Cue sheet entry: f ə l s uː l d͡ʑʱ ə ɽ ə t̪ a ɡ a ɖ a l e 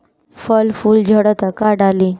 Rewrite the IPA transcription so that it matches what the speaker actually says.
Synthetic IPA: f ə l f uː l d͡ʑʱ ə ɽ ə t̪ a k a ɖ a l i